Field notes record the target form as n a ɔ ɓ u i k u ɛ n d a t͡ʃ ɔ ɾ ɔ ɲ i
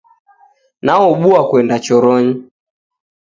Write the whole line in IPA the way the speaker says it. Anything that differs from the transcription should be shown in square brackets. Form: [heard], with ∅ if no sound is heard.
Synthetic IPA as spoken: n a ɔ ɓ u [a] k [w] ɛ n d a t͡ʃ ɔ ɾ ɔ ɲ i

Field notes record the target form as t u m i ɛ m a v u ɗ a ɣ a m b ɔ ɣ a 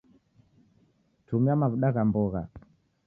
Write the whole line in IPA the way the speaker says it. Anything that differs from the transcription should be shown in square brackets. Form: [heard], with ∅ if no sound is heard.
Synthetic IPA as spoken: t u m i [a] m a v u ɗ a ɣ a m b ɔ ɣ a

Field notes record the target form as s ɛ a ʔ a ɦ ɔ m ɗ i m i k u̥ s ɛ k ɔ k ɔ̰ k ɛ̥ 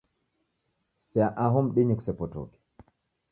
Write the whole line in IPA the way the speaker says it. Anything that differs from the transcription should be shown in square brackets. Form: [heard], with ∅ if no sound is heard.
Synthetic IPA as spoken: s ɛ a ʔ a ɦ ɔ m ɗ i [ɲ] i k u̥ s ɛ [p] ɔ [t] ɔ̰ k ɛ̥

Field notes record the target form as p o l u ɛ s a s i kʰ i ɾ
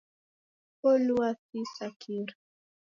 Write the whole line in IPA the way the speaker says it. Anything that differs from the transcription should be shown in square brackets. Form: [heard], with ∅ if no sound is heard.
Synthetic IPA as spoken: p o l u [a] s [i] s [a] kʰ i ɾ

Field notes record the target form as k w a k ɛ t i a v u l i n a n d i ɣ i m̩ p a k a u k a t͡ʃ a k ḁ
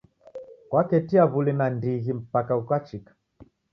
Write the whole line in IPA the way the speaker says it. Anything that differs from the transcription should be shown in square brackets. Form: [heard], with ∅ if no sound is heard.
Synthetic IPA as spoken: k w a k ɛ t i a [β] u l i n a n d i ɣ i m̩ p a k a u k a t͡ʃ [i] k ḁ

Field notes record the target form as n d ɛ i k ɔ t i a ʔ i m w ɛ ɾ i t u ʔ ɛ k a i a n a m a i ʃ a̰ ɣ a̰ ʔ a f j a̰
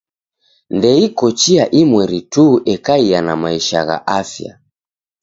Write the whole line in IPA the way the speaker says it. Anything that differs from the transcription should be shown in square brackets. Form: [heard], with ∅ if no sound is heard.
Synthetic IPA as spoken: n d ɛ i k ɔ [t͡ʃ] i a ʔ i m w ɛ ɾ i t u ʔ ɛ k a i a n a m a i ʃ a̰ ɣ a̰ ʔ a f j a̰

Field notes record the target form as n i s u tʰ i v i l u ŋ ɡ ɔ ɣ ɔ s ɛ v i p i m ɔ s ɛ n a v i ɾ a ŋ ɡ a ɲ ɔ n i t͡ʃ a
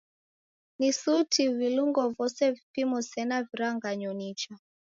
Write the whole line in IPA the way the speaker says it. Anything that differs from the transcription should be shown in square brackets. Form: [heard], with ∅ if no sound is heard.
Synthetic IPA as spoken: n i s u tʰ i v i l u ŋ ɡ ɔ [v] ɔ s ɛ v i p i m ɔ s ɛ n a v i ɾ a ŋ ɡ a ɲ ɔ n i t͡ʃ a

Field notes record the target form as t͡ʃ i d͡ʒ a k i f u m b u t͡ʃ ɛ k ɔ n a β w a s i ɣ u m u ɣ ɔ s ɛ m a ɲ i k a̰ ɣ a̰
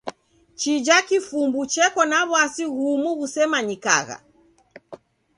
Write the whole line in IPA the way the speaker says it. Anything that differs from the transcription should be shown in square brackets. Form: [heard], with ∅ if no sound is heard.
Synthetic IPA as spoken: t͡ʃ i d͡ʒ a k i f u m b u t͡ʃ ɛ k ɔ n a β w a s i ɣ u m u ɣ [u] s ɛ m a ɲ i k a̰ ɣ a̰

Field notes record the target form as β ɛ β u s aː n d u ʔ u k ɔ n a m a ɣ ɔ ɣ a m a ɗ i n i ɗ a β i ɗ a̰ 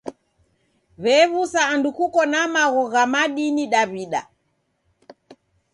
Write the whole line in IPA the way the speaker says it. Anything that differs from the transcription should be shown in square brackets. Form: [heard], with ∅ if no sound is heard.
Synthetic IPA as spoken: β ɛ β u s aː n d u [k] u k ɔ n a m a ɣ ɔ ɣ a m a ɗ i n i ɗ a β i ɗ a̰

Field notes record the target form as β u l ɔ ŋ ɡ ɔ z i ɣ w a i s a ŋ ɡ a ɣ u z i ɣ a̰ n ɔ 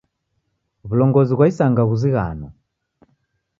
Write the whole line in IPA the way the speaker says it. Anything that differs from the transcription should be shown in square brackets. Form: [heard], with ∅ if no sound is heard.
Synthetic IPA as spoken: β u l ɔ ŋ ɡ ɔ z i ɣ w a i s a ŋ ɡ a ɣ u z i ɣ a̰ n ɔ

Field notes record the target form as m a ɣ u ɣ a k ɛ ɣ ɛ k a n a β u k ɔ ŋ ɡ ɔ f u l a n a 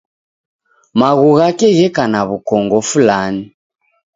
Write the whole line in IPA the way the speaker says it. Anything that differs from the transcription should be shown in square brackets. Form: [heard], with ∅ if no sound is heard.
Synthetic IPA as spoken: m a ɣ u ɣ a k ɛ ɣ ɛ k a n a β u k ɔ ŋ ɡ ɔ f u l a n [i]

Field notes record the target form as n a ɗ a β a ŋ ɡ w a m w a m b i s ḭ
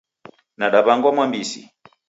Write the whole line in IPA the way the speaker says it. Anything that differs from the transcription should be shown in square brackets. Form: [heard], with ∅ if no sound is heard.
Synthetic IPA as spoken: n a ɗ a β a ŋ ɡ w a m w a m b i s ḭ

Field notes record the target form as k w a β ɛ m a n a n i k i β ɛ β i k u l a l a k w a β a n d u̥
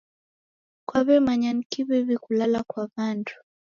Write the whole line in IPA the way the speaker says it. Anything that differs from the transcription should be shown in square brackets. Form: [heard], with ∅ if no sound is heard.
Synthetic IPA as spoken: k w a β ɛ m a [ɲ] a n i k i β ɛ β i k u l a l a k w a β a n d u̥

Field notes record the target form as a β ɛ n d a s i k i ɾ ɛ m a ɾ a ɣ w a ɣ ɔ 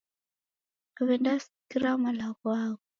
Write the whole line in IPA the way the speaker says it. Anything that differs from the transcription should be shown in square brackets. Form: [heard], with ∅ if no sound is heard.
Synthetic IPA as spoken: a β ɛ n d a s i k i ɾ [a] m a [l] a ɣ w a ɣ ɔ

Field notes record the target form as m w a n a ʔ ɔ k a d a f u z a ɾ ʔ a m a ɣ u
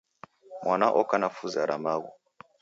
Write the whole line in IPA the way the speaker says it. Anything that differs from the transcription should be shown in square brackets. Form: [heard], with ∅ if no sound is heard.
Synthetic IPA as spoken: m w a n a ʔ ɔ k a [n] a f u z a ɾ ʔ a m a ɣ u

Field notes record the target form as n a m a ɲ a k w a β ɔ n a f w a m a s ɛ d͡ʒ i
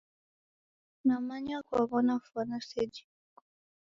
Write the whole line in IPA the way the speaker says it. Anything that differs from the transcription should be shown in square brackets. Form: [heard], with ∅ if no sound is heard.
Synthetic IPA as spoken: n a m a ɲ a k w a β ɔ n a f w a [n] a s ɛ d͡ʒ i

